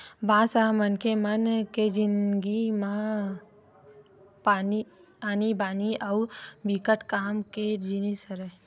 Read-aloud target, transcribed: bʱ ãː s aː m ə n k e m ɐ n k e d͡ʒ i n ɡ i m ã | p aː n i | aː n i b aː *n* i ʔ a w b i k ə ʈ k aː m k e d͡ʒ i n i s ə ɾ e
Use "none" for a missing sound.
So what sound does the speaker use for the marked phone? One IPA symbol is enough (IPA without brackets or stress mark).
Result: n